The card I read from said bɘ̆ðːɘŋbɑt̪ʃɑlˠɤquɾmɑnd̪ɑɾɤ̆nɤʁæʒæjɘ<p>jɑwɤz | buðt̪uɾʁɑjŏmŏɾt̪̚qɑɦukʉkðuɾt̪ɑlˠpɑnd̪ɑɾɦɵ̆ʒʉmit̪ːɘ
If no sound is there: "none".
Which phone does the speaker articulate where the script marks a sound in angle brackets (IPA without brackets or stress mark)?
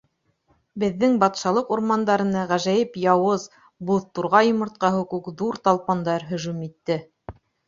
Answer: p